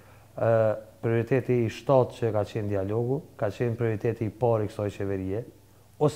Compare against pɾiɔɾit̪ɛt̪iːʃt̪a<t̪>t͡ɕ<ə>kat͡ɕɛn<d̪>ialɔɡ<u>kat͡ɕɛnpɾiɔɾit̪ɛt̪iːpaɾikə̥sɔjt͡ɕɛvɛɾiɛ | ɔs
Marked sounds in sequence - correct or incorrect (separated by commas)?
correct, correct, correct, correct